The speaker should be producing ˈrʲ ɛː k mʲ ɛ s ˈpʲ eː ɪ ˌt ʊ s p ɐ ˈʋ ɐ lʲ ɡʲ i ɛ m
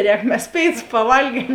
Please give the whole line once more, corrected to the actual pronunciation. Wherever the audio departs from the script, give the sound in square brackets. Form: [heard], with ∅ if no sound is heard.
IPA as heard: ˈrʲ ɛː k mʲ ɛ s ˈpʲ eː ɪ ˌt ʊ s p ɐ ˈʋ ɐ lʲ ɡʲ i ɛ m